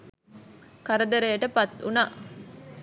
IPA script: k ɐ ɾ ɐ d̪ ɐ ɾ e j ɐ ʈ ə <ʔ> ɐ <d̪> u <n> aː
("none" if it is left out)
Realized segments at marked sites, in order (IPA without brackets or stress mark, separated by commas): p, t̪, n